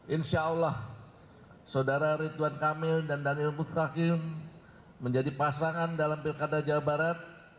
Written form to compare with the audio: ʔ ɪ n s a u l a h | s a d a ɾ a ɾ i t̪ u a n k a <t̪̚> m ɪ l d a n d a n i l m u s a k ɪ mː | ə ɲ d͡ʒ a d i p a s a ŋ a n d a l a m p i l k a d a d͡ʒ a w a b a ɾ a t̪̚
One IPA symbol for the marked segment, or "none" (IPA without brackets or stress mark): none